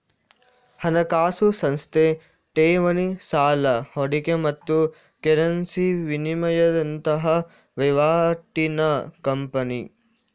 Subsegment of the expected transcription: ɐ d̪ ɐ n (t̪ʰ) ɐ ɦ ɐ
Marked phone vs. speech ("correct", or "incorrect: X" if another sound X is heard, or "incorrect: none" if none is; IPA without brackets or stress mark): incorrect: t̪